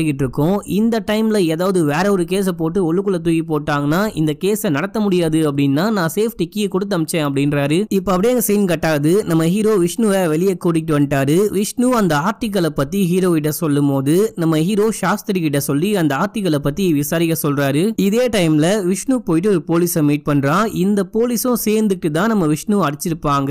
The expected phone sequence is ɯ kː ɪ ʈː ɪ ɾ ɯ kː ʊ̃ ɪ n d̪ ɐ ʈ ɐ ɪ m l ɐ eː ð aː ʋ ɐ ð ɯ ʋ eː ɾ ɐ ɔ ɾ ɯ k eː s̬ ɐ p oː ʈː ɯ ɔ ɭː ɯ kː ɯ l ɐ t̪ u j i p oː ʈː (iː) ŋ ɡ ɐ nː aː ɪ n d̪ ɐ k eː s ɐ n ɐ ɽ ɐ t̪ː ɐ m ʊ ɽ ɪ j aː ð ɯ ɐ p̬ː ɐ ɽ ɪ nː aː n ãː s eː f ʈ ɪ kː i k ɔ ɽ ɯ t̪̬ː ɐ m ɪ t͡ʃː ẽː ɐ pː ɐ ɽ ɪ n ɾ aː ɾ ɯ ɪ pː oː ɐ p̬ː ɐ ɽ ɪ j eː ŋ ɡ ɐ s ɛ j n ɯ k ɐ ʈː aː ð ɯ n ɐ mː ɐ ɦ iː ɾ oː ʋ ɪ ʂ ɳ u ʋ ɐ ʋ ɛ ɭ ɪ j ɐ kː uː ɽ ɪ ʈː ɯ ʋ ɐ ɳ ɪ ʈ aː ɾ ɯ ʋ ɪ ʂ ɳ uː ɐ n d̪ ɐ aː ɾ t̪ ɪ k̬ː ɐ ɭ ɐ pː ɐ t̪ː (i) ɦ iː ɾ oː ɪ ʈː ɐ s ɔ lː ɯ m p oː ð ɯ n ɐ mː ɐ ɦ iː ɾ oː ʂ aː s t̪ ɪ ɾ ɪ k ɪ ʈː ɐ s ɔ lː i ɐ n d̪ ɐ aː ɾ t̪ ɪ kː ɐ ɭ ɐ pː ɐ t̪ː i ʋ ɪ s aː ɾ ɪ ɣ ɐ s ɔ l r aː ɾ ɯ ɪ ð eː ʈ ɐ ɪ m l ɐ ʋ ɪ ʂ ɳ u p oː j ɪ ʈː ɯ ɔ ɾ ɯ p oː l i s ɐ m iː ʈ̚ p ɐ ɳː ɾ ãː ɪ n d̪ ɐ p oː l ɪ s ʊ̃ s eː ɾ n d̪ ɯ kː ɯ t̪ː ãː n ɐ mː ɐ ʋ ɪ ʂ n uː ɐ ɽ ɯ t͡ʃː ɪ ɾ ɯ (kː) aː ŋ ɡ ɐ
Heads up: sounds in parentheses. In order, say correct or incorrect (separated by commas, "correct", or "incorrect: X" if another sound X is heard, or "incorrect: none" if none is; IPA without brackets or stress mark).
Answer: incorrect: aː, correct, incorrect: pː